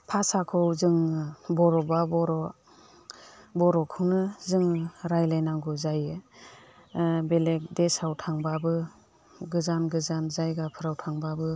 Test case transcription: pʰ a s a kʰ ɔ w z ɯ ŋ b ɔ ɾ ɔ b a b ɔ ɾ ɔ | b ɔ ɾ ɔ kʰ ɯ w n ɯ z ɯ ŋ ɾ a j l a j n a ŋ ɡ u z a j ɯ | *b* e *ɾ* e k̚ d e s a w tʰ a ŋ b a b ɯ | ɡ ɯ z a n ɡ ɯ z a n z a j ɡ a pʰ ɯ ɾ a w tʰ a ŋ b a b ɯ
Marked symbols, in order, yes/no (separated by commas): yes, no